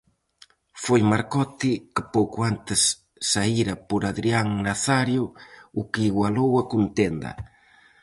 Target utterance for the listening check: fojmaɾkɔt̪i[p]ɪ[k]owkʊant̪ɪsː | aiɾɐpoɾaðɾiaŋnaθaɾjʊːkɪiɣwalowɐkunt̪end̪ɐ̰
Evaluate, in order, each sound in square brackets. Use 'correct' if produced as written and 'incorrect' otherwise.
incorrect, incorrect

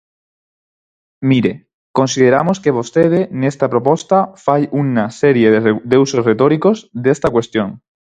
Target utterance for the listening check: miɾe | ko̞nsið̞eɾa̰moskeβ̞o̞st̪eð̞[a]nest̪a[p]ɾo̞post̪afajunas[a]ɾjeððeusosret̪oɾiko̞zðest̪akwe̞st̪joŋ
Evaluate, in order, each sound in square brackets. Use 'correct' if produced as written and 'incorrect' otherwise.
incorrect, correct, incorrect

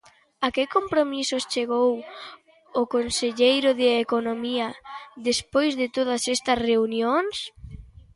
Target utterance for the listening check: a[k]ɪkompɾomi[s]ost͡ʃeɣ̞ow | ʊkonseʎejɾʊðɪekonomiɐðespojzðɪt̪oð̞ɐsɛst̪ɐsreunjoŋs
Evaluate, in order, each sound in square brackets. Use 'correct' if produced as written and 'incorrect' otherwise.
correct, correct

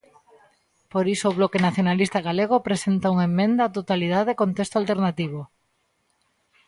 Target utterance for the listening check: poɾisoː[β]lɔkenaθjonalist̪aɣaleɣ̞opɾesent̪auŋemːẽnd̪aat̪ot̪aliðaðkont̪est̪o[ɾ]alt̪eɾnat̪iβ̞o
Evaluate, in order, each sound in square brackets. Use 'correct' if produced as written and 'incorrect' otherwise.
correct, incorrect

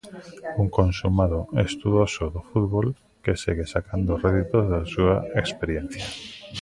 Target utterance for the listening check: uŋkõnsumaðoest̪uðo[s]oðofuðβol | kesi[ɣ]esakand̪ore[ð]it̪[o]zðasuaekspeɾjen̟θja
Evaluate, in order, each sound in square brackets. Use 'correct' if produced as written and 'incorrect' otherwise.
correct, correct, correct, correct

